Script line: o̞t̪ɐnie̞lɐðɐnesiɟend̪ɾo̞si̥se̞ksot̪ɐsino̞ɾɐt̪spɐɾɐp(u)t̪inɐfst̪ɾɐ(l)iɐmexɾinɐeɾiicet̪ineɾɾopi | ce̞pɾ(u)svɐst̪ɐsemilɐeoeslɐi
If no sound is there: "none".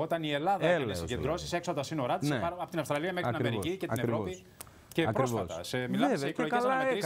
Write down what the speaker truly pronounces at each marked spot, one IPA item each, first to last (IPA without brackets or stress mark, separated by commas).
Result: o, l, o